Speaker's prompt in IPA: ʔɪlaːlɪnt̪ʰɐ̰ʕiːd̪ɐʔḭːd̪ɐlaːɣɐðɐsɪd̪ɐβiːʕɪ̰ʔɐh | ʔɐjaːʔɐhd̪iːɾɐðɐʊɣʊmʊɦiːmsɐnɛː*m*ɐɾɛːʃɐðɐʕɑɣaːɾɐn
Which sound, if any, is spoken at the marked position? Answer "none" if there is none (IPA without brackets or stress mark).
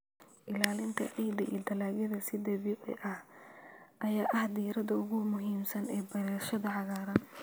b